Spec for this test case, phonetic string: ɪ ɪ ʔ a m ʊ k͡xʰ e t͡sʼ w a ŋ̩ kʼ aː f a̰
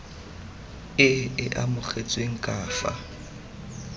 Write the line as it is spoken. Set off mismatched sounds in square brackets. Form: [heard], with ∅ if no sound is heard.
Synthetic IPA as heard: ɪ ɪ ʔ a m ʊ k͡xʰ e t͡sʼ w [e] ŋ̩ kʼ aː f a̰